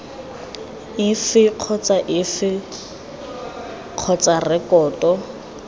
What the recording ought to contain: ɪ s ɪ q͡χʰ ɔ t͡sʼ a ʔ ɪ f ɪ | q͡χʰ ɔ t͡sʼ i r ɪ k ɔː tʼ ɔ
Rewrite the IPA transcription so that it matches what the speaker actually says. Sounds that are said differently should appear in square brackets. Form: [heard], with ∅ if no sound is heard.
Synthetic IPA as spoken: ɪ [f] ɪ q͡χʰ ɔ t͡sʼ a ʔ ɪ f ɪ | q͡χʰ ɔ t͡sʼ [a] r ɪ k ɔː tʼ ɔ